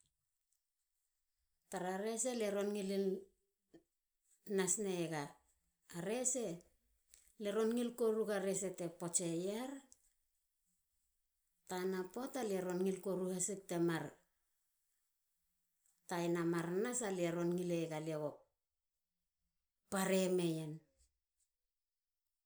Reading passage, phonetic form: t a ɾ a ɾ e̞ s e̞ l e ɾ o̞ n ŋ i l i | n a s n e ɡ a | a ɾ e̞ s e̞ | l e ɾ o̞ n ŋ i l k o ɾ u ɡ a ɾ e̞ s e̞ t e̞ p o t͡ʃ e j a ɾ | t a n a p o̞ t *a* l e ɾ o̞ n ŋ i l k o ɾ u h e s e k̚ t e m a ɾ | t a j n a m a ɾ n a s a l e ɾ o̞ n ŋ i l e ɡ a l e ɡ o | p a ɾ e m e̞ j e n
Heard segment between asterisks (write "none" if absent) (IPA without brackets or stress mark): a